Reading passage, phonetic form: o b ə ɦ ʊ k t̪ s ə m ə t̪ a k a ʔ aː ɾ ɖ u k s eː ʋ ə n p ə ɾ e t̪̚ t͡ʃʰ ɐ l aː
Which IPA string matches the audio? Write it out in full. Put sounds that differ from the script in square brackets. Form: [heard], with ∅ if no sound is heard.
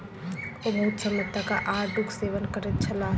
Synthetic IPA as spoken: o b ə ɦ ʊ [∅] t̪ s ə m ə t̪ a k a ʔ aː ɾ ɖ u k s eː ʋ ə n [k] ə ɾ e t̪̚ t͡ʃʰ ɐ l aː